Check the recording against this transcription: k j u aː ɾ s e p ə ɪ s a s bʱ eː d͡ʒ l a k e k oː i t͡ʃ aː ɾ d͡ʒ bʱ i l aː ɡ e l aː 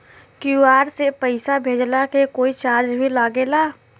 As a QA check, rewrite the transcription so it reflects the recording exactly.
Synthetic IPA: k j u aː ɾ s e p ə ɪ s a bʱ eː d͡ʒ l a k e k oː i t͡ʃ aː ɾ d͡ʒ bʱ i l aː ɡ e l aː